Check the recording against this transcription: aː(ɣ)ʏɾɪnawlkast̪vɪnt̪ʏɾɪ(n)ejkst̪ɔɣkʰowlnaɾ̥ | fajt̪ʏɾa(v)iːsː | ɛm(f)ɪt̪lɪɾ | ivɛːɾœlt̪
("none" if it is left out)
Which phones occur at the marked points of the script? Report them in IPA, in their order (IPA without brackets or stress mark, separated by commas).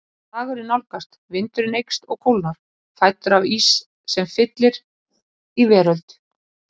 ɣ, n, v, f